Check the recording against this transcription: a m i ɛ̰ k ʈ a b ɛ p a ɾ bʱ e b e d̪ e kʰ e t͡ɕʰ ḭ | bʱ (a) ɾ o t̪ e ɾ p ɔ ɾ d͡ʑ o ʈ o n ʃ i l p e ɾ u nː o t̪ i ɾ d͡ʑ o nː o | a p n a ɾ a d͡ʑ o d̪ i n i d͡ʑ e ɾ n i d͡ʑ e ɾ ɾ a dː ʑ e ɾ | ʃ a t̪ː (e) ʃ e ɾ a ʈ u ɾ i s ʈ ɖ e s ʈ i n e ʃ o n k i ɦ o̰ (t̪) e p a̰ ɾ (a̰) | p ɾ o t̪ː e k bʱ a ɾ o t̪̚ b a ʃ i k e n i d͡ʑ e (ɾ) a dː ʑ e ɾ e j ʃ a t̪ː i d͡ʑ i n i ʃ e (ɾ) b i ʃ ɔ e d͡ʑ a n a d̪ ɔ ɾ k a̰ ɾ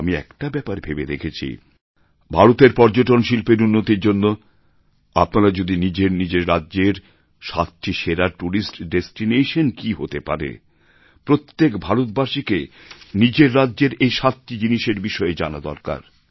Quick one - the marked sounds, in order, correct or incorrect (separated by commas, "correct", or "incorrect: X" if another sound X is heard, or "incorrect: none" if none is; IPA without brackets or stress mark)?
correct, incorrect: i, correct, incorrect: ḛ, incorrect: ɾː, correct